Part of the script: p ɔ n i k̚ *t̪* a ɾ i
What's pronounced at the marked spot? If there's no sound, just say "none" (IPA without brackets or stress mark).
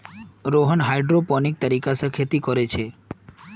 t̪